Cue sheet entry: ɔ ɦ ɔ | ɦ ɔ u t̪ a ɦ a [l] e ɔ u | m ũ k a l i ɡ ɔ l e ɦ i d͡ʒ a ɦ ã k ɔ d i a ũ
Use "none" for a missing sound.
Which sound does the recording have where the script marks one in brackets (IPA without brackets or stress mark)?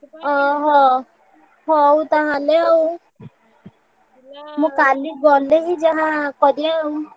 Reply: l